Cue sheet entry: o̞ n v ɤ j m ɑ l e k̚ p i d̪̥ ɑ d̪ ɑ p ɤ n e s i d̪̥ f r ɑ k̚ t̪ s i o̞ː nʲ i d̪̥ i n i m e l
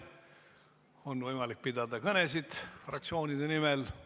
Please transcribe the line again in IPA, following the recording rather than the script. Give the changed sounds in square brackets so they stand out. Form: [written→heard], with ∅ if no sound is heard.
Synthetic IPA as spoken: o̞ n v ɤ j m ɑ l [e→i] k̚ p i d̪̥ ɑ d̪ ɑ [p→k] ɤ n e s i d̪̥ f r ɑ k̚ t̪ s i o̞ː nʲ i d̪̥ [i→e] n i m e l